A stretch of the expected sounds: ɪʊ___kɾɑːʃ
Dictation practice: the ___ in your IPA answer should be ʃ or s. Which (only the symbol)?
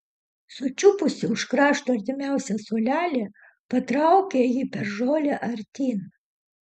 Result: ʃ